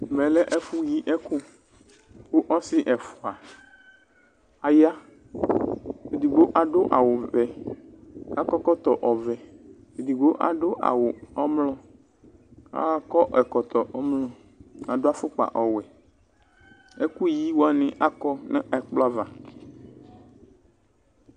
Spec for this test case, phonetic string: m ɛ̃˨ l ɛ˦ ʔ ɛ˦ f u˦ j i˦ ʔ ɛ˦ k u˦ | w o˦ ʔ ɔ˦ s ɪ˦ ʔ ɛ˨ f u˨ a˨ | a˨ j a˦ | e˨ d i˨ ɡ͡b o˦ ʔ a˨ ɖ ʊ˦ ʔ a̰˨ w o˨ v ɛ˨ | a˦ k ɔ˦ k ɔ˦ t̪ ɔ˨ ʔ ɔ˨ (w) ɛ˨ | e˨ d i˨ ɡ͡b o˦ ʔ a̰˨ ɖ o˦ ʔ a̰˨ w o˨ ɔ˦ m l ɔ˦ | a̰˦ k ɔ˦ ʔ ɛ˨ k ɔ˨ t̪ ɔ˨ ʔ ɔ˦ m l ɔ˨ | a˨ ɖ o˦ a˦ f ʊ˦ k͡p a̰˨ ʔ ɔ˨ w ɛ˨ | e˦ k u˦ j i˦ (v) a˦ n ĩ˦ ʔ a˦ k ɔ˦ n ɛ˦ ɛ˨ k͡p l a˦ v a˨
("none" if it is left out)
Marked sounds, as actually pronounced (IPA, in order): v, w

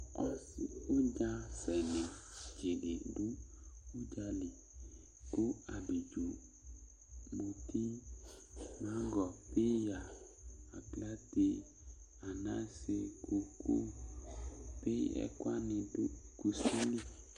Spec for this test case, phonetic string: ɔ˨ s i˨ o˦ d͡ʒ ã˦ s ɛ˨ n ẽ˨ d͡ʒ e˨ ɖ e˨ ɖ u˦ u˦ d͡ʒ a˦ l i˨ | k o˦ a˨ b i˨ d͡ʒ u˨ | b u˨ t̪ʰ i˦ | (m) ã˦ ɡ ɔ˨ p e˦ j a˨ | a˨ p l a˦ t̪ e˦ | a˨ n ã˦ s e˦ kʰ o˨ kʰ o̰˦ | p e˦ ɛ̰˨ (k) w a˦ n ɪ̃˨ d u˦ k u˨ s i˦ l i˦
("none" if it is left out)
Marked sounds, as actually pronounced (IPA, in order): m, k

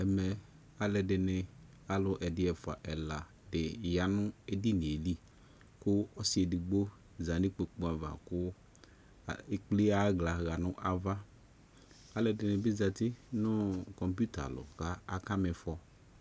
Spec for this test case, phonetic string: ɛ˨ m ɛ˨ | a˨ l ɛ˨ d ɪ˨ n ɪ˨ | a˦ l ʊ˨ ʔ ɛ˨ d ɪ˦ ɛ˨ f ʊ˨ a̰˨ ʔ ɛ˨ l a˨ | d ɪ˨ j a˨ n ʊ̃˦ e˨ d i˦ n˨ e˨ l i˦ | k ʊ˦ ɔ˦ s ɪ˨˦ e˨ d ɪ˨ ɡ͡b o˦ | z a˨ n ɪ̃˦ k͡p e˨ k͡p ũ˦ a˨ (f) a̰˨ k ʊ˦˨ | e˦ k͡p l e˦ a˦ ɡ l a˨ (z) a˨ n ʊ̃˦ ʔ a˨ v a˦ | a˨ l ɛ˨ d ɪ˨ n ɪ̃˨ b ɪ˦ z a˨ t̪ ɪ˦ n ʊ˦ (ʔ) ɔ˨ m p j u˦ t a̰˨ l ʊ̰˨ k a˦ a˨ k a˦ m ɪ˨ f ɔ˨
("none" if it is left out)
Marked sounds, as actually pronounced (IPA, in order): v, ɣ, k

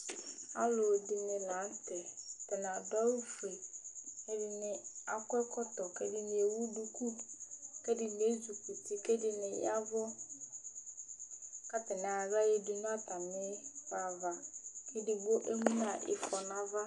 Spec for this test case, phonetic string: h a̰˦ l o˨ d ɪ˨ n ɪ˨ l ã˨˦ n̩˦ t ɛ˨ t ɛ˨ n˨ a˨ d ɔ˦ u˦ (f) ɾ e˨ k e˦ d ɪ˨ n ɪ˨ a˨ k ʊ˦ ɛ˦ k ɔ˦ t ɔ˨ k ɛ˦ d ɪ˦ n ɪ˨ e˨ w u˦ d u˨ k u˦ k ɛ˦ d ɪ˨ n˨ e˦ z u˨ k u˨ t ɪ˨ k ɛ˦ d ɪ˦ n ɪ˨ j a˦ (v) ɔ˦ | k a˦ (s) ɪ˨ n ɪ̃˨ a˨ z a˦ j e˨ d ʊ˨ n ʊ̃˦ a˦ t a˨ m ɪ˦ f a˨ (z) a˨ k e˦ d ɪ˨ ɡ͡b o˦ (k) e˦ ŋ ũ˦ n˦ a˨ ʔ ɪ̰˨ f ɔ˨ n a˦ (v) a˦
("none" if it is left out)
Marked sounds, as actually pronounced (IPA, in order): f, v, t, v, ʔ, v

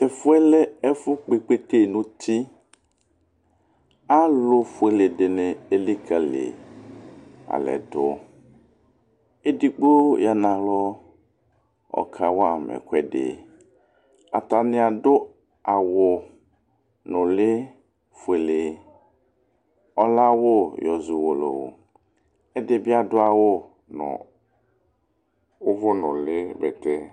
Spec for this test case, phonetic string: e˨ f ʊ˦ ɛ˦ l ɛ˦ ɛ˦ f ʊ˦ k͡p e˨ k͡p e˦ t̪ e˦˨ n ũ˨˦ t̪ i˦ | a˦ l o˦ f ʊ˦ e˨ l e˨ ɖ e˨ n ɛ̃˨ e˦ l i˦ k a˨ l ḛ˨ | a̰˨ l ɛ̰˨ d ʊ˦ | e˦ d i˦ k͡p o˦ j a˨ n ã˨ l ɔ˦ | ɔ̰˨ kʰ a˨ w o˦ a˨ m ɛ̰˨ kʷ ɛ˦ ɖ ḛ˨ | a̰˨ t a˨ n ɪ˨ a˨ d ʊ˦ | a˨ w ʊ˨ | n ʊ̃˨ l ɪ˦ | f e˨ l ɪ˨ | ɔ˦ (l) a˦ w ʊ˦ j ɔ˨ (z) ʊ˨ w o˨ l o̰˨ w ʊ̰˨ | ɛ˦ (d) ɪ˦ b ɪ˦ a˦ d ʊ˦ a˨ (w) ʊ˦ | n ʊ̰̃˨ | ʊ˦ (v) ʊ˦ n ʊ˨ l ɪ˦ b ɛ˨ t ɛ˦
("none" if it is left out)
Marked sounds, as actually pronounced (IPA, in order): l, z, d, w, v

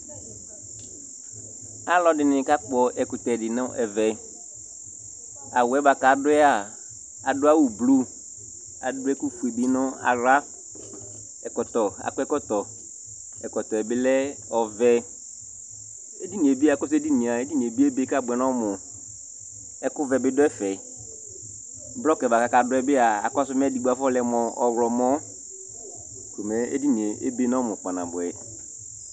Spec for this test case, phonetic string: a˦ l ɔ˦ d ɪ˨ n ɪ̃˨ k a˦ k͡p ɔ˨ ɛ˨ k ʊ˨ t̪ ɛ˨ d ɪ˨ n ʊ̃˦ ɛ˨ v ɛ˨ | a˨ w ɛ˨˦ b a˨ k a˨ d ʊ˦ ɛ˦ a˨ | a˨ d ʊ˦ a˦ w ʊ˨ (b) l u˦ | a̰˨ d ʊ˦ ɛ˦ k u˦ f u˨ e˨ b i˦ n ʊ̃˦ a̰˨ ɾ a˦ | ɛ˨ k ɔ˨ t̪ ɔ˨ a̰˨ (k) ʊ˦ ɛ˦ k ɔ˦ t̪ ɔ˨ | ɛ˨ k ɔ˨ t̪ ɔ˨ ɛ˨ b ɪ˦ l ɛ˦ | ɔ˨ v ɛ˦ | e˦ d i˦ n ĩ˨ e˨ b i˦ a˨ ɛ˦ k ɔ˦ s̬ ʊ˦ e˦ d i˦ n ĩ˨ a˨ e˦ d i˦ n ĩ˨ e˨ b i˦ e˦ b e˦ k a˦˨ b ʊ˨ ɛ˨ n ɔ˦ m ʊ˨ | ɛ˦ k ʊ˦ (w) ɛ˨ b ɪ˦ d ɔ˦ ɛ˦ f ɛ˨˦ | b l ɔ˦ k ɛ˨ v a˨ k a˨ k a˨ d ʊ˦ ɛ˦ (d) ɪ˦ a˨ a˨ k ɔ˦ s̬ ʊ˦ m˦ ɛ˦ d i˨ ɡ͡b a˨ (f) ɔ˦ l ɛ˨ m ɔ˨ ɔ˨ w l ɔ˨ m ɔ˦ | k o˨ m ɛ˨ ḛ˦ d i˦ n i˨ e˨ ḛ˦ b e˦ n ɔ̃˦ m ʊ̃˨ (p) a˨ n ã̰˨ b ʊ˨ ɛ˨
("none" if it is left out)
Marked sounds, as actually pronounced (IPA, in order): b, k, v, b, f, k͡p

